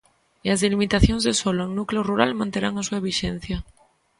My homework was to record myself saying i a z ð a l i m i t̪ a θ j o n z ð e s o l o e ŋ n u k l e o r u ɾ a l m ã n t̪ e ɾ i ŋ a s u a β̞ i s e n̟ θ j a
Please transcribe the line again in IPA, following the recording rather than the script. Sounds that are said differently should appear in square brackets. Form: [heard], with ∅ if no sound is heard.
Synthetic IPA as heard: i a z ð [e] l i m i t̪ a θ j o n z ð e s o l o e ŋ n u k l e o r u ɾ a l m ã n t̪ e ɾ [a] ŋ a s u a β̞ i [ʃ] e n̟ θ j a